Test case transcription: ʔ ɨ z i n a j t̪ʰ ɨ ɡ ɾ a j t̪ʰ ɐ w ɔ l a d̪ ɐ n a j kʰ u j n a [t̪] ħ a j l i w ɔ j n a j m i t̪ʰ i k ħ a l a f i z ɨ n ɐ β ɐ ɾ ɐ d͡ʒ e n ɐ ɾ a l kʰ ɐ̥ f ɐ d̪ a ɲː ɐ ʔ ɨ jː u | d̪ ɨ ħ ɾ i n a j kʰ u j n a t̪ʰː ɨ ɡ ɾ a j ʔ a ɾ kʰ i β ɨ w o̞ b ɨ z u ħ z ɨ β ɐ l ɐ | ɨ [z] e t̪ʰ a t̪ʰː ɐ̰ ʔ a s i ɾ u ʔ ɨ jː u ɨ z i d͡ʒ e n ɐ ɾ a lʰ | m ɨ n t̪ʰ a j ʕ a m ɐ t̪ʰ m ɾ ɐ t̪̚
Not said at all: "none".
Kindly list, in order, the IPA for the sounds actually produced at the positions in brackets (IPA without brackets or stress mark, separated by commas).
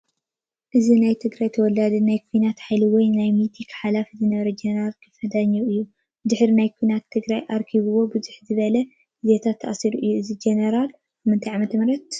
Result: t̪, z